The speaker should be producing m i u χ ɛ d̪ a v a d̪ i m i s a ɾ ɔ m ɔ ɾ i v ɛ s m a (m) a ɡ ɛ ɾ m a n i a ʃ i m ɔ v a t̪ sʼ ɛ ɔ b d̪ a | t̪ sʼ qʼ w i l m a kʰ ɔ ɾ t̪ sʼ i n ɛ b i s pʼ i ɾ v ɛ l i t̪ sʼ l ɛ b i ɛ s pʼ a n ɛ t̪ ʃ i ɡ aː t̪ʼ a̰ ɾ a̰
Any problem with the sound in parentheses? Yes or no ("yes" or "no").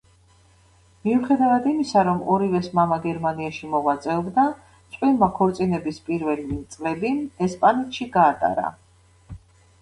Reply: no